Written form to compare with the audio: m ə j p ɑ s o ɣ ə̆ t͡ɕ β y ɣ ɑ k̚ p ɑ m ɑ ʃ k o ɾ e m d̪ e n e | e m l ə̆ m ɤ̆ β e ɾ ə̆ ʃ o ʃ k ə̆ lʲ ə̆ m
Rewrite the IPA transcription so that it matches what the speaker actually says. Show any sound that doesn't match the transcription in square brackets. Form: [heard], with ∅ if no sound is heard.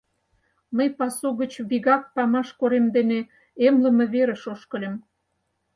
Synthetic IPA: m ə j p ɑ s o ɣ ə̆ t͡ɕ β [i] ɣ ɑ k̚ p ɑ m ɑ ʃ k o ɾ e m d̪ e n e | e m l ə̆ m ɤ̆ β e ɾ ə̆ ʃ o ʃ k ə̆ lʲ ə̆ m